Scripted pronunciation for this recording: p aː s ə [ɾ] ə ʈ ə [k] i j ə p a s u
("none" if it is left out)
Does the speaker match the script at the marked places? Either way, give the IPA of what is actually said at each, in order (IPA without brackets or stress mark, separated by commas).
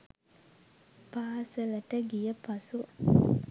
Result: l, ɡ